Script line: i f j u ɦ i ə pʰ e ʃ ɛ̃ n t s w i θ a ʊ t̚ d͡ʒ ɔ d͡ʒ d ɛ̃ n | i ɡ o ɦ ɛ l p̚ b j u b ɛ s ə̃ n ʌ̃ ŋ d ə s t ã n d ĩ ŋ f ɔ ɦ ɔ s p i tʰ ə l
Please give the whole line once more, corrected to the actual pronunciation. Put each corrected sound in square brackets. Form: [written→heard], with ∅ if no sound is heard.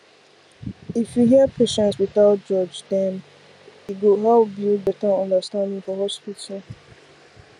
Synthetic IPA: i f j u ɦ i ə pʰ e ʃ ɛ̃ n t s w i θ a ʊ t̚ d͡ʒ ɔ d͡ʒ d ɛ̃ n | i ɡ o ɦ ɛ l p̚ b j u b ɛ [s→t] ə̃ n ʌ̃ [ŋ→n] d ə s t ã n d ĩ ŋ f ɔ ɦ ɔ s p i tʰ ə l

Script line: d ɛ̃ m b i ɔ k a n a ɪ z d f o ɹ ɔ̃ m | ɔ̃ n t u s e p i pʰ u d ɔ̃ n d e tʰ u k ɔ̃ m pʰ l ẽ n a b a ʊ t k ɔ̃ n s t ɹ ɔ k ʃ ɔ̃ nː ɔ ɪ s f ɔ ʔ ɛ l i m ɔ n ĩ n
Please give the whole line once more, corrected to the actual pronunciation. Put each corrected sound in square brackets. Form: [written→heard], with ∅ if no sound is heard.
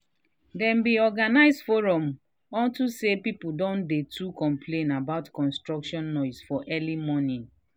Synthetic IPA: d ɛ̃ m b i ɔ [k→ɡ] a n a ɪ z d f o ɹ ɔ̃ m | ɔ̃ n t u s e p i [pʰ→p] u d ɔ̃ n d e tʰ u k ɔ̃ m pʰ l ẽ n a b a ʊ t k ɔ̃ n s t ɹ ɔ k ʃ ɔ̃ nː ɔ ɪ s f ɔ ʔ ɛ l i m ɔ n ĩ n

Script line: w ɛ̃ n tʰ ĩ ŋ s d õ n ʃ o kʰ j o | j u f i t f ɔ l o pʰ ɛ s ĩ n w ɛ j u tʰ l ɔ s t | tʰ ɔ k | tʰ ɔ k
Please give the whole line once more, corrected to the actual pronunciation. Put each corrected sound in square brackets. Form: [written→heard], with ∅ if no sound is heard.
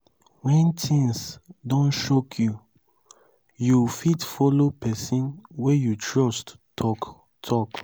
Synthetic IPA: w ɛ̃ n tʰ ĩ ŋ s d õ n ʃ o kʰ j [o→u] | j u f i t f ɔ l o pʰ ɛ s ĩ n w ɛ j u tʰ [l→ɹ] ɔ s t | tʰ ɔ k | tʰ ɔ k

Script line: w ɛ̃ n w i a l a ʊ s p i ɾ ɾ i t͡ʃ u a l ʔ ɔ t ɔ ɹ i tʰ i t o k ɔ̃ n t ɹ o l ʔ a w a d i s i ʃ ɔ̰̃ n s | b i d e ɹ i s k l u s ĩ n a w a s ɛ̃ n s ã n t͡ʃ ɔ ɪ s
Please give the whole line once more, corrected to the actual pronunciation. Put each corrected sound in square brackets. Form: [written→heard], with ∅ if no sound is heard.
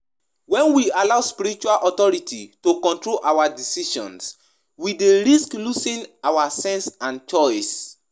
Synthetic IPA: w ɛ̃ n w i a l a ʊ s p i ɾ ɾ i t͡ʃ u a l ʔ ɔ t ɔ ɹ i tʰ i t o k ɔ̃ n t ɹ o l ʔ a w a d i s i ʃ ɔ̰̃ n s | [b→w] i d e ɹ i s k l u s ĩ n a w a s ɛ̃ n s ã n t͡ʃ ɔ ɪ s

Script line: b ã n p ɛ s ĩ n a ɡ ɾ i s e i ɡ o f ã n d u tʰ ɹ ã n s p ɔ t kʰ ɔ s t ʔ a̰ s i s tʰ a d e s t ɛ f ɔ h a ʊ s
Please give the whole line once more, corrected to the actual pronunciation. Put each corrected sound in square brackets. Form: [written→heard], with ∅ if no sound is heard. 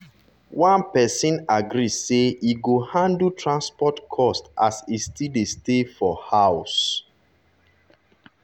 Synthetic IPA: [b→w] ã n p ɛ s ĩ n a ɡ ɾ i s e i ɡ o [f→h] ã n d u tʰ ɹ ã n s p ɔ t kʰ ɔ s t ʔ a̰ s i s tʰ [a→i] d e s t [ɛ→e] f ɔ h a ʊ s

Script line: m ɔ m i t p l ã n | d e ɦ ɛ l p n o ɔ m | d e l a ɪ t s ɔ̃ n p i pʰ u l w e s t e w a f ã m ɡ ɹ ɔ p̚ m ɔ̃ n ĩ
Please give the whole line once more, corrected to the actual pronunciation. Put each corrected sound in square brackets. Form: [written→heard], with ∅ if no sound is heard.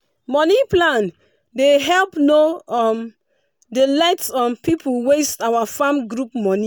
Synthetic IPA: m ɔ [m→n] i [t→∅] p l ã n | d e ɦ ɛ l p n o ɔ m | d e l a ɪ t s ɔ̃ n p i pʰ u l w e s t [e→a] w a f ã m ɡ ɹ [ɔ→u] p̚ m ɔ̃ n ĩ

